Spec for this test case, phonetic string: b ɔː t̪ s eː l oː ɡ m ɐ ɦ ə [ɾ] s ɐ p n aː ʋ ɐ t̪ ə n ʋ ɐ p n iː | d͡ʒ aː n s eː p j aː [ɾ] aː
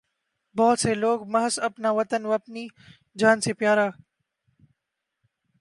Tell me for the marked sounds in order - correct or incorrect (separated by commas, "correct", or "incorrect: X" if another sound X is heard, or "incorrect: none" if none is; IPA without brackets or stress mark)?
incorrect: none, correct